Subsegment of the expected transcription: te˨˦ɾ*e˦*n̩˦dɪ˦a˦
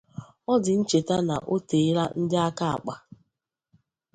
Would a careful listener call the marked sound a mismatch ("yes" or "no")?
yes